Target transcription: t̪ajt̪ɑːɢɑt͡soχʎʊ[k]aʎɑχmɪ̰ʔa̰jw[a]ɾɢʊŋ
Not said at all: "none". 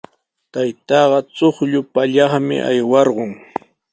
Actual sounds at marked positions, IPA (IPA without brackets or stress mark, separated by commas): p, ɑ